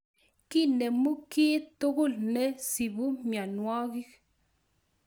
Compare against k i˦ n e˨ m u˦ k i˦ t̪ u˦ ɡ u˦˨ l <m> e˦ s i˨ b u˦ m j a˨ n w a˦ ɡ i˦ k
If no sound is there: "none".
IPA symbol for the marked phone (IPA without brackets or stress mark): n